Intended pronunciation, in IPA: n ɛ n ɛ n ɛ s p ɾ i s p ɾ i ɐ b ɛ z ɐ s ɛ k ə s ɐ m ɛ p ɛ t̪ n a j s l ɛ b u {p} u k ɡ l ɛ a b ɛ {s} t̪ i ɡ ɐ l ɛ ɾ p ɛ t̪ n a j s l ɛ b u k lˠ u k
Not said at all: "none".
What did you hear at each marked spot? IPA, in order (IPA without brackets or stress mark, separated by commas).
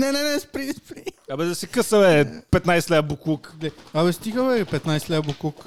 k, s